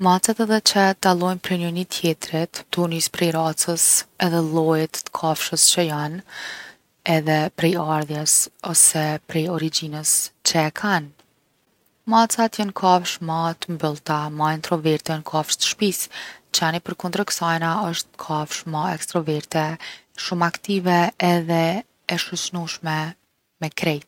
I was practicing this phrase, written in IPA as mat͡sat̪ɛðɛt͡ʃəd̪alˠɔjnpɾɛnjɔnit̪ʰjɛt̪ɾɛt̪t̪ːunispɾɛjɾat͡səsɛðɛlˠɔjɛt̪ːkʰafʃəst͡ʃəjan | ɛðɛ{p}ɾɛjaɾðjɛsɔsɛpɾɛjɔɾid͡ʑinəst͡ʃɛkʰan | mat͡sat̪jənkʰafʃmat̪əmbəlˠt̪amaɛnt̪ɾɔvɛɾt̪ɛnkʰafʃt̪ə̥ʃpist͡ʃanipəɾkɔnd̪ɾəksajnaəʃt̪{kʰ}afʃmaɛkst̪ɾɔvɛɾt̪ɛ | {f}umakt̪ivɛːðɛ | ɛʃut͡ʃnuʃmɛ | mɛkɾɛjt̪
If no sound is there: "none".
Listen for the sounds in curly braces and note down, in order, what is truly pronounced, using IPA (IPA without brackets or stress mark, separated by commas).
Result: p, kʰ, ʃ